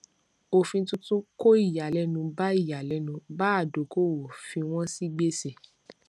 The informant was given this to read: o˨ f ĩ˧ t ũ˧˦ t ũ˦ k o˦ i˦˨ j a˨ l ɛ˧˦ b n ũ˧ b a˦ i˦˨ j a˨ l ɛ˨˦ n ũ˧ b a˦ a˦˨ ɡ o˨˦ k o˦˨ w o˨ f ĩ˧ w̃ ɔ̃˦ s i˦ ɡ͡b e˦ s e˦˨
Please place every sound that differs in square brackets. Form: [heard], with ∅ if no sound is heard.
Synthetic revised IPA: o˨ f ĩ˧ t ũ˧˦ t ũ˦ k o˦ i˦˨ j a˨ l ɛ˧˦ [∅] n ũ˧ b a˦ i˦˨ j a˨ l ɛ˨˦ n ũ˧ b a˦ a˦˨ [d] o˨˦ k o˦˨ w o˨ f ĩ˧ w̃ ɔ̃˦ s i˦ ɡ͡b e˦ s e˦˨

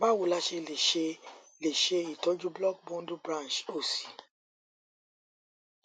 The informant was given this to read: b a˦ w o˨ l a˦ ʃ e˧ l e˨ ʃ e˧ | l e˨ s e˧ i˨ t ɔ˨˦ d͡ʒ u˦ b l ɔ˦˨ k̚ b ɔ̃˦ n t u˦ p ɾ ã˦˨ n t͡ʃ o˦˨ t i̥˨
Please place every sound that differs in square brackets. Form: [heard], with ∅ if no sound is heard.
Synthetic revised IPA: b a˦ w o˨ l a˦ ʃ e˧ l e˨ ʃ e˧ | l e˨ [ʃ] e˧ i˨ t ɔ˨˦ d͡ʒ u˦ b l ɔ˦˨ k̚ b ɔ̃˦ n [d] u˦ [b] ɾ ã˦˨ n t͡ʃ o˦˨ [s] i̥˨

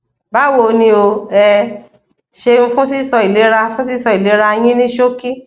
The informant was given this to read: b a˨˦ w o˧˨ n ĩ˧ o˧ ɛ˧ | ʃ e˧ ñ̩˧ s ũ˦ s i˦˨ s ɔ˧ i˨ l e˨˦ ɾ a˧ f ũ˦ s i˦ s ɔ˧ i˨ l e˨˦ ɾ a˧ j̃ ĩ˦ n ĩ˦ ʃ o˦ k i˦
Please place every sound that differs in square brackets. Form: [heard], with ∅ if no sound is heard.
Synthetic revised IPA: b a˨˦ w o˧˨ n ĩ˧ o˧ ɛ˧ | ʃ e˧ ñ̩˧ [f] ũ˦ s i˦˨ s ɔ˧ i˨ l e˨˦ ɾ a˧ f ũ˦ s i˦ s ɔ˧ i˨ l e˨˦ ɾ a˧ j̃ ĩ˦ n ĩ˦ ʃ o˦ k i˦

